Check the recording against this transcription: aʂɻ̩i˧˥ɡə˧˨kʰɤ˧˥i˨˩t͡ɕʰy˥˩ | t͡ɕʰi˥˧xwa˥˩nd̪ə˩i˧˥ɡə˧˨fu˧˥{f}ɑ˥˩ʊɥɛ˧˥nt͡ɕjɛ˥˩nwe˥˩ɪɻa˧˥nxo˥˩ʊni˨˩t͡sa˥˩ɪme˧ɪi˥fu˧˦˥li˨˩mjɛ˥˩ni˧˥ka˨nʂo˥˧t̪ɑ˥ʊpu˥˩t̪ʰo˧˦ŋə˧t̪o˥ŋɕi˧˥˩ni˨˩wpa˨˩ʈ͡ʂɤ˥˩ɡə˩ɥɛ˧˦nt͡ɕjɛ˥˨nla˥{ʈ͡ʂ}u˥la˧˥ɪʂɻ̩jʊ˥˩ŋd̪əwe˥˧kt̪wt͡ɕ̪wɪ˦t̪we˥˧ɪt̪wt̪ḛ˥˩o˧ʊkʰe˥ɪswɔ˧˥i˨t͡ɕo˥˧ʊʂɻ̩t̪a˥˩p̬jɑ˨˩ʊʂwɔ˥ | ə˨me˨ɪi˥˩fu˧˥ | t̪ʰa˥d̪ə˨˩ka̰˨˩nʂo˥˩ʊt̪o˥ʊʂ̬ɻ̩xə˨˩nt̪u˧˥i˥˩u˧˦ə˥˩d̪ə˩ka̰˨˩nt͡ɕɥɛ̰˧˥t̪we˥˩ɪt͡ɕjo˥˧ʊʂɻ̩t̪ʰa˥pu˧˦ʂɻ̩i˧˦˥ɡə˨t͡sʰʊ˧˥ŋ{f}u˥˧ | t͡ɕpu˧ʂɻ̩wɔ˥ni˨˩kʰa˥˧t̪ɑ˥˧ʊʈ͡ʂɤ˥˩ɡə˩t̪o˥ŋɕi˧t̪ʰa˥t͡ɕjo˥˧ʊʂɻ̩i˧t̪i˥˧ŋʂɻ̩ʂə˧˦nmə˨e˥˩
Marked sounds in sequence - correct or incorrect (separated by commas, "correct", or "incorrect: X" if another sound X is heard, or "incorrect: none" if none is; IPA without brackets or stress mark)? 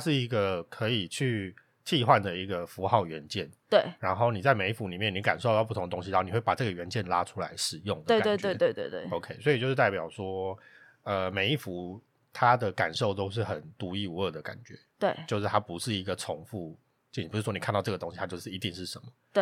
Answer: incorrect: x, incorrect: ʈ͡ʂʰ, correct